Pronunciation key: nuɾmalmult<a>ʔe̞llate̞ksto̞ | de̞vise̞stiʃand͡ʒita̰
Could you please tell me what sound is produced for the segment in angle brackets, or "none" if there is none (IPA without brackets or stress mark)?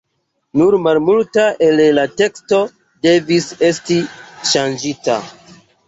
a